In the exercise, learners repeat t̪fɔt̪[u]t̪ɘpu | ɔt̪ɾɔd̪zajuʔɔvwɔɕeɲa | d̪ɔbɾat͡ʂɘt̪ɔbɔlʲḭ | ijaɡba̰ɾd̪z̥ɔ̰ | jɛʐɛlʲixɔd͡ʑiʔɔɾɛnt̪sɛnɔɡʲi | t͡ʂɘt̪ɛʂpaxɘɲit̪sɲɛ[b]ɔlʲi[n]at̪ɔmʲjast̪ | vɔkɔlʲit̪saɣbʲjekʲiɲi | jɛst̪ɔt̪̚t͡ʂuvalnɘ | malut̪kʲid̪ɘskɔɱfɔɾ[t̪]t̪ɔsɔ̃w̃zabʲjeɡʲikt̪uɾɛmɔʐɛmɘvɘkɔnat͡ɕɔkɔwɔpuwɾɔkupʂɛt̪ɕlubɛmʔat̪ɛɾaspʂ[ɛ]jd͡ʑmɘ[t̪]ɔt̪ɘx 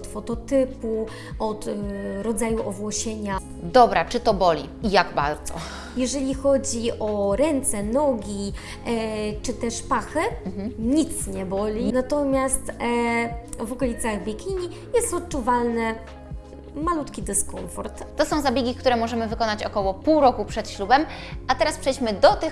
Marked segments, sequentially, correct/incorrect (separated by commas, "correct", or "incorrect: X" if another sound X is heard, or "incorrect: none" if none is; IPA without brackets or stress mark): incorrect: ɔ, correct, correct, correct, correct, incorrect: d̪